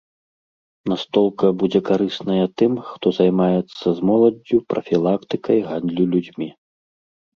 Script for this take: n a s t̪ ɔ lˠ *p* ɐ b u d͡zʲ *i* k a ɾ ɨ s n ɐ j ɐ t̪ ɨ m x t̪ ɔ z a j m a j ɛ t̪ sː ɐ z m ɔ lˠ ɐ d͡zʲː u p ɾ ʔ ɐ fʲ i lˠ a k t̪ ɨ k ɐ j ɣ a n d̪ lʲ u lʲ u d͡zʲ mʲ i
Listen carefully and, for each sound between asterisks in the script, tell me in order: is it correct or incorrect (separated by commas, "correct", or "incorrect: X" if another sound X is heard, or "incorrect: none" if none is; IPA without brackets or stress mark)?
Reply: incorrect: k, incorrect: ɛ